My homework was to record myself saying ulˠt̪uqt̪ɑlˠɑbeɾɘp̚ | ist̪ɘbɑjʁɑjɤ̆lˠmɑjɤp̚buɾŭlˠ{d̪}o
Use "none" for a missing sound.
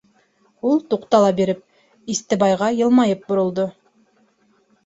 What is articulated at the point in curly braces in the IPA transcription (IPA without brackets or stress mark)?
d̪